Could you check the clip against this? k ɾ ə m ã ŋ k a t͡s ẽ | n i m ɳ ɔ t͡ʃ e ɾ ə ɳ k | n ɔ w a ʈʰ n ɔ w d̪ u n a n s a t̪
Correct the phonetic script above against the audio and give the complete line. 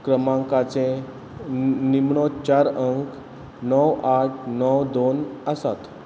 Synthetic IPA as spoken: k ɾ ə m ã ŋ k a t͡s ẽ | n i m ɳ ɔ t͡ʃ a ɾ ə ŋ k | n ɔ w a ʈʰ n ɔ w d̪ o n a s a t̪